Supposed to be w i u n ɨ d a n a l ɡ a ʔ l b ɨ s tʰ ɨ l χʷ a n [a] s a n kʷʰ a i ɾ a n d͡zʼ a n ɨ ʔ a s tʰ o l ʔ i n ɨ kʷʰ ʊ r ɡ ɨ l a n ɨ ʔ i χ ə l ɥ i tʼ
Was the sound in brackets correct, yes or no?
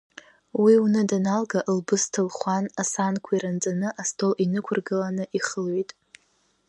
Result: yes